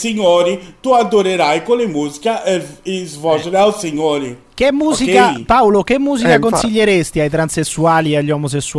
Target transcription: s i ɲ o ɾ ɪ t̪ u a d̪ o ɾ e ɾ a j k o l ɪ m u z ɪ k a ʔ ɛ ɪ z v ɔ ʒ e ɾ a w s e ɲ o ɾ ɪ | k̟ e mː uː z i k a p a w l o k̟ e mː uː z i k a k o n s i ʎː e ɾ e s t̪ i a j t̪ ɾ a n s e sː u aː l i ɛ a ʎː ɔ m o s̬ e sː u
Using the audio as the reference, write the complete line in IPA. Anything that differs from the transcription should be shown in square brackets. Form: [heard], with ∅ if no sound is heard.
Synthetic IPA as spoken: s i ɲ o ɾ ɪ t̪ u a d̪ o ɾ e ɾ a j k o l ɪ m u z [i] k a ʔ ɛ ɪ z v ɔ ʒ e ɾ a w s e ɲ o ɾ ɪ | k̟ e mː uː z i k a p a w l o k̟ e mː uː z i k a k o n s i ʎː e ɾ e s t̪ i a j t̪ ɾ a n s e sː u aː l i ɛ a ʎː ɔ m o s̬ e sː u